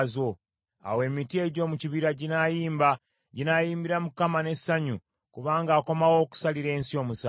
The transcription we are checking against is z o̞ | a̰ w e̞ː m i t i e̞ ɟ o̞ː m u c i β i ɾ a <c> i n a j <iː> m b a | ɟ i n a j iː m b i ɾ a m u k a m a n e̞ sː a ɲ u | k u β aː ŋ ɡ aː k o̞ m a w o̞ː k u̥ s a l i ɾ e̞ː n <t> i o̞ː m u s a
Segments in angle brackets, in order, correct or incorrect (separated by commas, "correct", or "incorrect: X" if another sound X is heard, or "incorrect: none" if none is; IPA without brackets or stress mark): incorrect: ɟ, correct, incorrect: s